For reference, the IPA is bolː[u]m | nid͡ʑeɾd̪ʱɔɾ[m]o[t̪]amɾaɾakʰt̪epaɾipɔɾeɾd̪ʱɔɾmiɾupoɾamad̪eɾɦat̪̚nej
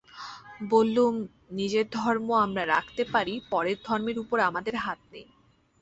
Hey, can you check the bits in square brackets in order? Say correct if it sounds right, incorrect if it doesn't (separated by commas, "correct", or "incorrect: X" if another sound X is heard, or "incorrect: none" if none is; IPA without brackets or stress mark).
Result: correct, correct, incorrect: none